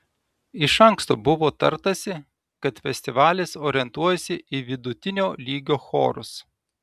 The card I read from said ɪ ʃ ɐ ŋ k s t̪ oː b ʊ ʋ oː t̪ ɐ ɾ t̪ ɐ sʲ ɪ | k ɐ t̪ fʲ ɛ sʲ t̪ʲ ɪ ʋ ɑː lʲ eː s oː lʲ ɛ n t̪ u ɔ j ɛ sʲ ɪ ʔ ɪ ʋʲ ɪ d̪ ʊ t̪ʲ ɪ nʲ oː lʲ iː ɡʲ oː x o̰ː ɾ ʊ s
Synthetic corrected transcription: ɪ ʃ ɐ ŋ k s t̪ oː b ʊ ʋ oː t̪ ɐ ɾ t̪ ɐ sʲ ɪ | k ɐ t̪ fʲ ɛ sʲ t̪ʲ ɪ ʋ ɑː lʲ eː s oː ɾʲ ɛ n t̪ u ɔ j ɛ sʲ ɪ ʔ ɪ ʋʲ ɪ d̪ ʊ t̪ʲ ɪ nʲ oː lʲ iː ɡʲ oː x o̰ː ɾ ʊ s